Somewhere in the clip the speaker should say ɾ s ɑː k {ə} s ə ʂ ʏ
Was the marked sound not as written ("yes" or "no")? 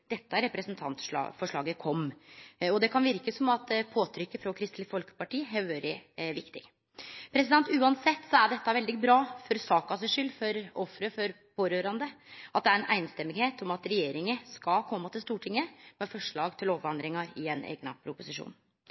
yes